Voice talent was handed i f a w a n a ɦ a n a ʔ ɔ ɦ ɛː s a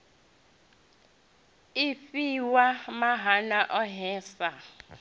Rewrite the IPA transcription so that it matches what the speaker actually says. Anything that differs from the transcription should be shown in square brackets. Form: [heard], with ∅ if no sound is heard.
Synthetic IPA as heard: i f [i] w a [m] a ɦ a n a ʔ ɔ ɦ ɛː s a